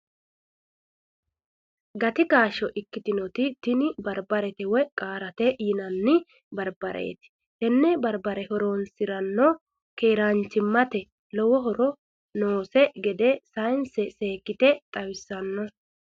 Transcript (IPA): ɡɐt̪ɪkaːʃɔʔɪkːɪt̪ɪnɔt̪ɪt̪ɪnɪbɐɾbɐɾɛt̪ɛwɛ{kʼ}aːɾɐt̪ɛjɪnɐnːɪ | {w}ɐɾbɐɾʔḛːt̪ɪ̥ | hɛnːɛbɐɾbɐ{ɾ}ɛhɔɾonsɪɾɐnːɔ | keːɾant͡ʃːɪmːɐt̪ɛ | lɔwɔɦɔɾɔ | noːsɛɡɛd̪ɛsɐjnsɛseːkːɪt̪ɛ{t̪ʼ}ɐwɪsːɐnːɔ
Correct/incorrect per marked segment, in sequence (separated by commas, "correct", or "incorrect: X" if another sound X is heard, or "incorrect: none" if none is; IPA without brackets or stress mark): correct, incorrect: b, correct, correct